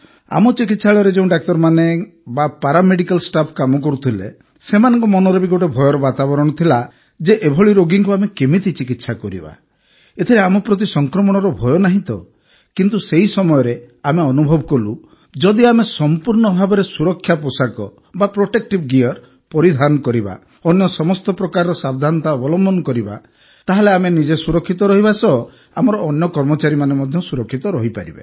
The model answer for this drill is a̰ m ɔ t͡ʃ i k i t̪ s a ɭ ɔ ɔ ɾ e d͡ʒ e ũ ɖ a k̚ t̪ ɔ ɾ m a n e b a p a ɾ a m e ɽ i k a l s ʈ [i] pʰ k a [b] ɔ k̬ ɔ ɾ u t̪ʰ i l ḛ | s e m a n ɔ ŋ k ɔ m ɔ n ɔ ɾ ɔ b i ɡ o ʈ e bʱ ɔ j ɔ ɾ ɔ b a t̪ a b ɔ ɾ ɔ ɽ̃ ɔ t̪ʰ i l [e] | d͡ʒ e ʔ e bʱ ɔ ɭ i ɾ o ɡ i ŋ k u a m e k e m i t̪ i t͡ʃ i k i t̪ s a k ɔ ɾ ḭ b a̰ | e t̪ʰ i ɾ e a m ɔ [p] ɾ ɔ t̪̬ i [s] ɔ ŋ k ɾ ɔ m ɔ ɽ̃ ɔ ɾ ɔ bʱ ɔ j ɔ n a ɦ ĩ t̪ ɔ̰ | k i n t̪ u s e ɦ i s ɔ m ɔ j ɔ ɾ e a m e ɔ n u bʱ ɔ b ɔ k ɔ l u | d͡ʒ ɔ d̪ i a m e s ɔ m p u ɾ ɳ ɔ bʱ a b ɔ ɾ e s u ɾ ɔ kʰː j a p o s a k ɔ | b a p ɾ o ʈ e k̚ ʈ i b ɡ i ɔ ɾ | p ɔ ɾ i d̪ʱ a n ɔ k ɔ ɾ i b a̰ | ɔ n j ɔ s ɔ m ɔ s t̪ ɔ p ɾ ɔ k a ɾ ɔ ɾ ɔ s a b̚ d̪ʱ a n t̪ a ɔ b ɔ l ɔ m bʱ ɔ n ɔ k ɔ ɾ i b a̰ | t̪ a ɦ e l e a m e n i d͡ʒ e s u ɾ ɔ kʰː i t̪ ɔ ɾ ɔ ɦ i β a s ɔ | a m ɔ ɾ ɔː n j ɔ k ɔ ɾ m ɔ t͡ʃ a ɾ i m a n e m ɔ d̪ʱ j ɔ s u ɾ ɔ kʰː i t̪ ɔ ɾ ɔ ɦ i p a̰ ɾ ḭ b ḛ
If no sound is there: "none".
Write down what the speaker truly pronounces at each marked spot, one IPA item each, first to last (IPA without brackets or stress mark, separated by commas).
a, m, a, p, s